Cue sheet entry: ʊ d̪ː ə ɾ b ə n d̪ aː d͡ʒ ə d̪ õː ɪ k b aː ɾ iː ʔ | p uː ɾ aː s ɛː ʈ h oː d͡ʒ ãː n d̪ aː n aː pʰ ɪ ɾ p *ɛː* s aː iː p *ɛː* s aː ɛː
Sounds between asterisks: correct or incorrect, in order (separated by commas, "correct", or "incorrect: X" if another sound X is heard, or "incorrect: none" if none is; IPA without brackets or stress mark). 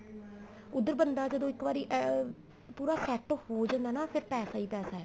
correct, correct